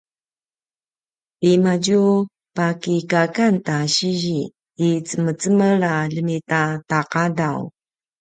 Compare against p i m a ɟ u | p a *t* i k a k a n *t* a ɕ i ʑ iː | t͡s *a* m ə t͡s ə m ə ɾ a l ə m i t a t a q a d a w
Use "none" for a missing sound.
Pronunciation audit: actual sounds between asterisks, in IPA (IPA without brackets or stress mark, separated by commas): k, t, ə